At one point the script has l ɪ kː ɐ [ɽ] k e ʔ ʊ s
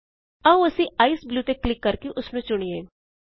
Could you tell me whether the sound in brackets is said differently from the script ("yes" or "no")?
yes